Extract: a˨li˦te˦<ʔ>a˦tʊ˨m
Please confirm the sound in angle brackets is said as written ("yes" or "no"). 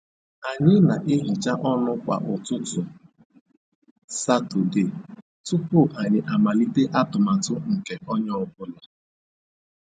yes